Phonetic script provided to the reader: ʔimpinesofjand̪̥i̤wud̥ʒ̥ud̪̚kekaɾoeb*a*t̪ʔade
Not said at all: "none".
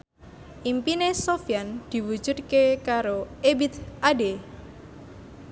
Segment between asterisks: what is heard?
i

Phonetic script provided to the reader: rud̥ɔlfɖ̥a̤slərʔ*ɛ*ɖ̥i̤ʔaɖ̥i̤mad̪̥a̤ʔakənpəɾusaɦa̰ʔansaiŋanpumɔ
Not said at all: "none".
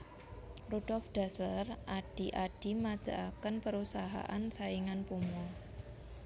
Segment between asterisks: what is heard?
a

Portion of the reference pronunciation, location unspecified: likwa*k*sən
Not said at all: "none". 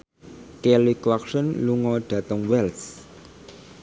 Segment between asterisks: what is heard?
k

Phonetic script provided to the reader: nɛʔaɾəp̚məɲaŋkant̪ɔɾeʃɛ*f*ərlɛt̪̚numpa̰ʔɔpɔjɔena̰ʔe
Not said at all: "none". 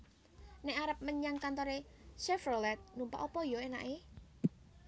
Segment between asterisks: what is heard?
f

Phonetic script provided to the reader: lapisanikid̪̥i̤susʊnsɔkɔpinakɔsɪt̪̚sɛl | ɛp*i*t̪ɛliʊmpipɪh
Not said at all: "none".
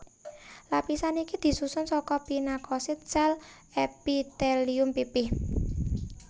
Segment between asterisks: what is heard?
i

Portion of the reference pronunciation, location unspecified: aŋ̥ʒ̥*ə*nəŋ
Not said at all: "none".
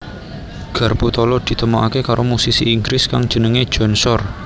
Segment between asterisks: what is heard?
ə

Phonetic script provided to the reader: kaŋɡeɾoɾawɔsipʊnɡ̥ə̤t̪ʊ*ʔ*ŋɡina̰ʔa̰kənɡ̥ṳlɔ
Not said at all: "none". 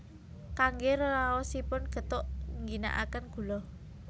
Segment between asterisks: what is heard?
ʔ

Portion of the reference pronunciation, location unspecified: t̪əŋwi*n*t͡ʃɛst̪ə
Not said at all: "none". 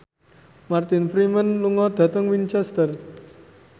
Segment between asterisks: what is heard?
n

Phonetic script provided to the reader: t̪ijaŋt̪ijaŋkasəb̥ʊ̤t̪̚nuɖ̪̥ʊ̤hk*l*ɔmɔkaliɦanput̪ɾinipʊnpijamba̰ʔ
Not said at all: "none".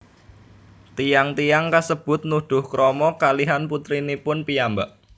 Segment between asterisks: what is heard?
ɾ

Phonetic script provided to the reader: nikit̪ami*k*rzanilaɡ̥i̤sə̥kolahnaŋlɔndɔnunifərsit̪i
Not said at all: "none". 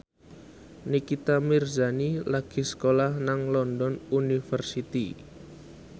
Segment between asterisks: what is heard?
none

